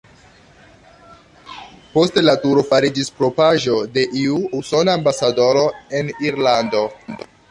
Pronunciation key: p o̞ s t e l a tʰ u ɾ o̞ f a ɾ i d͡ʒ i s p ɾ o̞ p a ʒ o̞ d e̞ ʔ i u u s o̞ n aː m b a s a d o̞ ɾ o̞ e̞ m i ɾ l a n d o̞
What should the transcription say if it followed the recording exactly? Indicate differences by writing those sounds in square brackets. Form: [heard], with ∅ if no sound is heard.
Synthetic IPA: p o̞ s t e l a [t] u ɾ o̞ f a ɾ i d͡ʒ i s p ɾ o̞ p a ʒ o̞ d e̞ ʔ i u u s o̞ n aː m b a s a d o̞ ɾ o̞ e̞ [n] i ɾ l a n d o̞